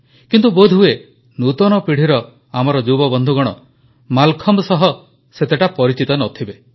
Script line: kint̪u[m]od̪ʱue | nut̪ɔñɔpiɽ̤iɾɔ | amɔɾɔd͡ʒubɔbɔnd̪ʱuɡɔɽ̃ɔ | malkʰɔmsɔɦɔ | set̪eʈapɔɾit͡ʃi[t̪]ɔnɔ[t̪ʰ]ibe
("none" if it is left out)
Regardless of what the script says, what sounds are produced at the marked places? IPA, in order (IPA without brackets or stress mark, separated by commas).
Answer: b, t̪, t̪ʰ